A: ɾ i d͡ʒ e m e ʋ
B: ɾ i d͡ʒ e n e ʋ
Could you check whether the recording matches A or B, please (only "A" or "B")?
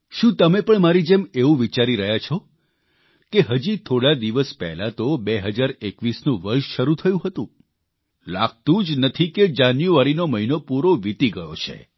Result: A